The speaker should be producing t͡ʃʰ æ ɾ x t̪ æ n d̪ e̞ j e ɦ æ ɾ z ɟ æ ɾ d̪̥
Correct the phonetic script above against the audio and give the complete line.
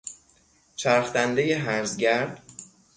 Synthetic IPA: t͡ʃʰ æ ɾ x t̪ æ n d̪ e̞ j e ɦ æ ɾ z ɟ æ ɾ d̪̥